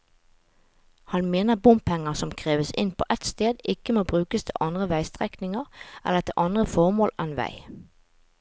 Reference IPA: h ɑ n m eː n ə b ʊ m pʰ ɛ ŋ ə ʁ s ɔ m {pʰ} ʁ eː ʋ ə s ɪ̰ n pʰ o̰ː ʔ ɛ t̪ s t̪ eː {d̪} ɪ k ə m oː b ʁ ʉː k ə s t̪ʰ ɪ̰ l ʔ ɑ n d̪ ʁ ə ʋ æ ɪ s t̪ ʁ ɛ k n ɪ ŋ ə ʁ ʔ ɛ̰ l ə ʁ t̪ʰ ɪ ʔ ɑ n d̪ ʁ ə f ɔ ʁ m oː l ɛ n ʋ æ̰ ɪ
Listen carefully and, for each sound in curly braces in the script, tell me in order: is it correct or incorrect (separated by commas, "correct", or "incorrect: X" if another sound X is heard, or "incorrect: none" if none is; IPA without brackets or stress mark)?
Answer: incorrect: kʰ, correct